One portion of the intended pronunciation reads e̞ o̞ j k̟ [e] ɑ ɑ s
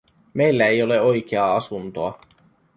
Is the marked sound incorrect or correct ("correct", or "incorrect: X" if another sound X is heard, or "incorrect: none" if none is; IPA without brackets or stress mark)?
correct